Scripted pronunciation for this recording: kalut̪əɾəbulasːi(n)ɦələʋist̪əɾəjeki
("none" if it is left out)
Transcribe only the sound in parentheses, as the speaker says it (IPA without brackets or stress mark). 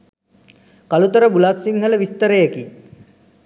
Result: ŋ